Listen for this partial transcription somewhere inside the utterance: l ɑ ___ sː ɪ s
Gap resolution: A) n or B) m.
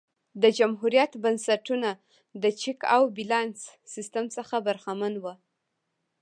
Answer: A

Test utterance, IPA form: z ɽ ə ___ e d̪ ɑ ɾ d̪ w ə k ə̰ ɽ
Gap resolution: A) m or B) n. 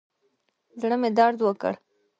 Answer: A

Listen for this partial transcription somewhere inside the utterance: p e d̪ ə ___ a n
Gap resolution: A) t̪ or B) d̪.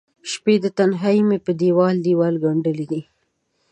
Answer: A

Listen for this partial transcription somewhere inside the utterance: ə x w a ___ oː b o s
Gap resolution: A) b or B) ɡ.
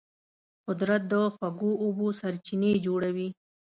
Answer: B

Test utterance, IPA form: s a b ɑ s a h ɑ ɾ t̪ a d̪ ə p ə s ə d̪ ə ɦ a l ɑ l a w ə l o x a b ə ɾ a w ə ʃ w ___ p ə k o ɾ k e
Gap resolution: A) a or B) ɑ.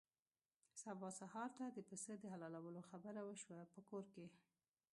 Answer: A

